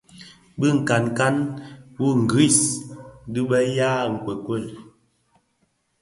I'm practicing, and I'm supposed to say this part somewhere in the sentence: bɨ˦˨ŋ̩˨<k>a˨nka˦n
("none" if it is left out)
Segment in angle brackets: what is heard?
k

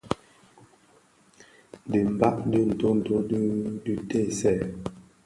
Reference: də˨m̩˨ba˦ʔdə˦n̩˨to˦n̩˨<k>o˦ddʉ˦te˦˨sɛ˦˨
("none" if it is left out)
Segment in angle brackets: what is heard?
t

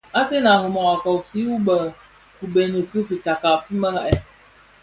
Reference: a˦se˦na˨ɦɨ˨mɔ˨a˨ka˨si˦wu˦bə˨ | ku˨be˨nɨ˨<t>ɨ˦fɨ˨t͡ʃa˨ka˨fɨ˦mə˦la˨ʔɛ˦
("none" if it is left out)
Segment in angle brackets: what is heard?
k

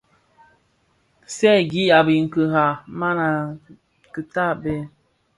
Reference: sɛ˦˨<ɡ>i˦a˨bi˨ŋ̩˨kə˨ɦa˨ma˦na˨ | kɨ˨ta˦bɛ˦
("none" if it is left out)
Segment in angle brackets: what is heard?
ɡ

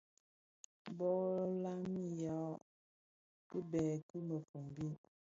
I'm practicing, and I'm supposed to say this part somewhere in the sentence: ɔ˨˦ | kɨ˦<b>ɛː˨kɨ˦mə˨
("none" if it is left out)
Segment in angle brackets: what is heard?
b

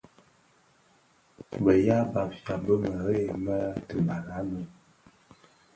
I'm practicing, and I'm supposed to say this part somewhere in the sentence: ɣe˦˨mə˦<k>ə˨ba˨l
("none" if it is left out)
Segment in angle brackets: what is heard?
t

